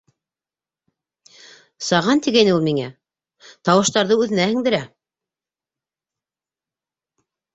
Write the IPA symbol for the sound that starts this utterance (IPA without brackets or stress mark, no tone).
s